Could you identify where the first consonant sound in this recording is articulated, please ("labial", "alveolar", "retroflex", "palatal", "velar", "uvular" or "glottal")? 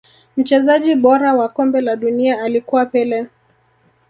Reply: labial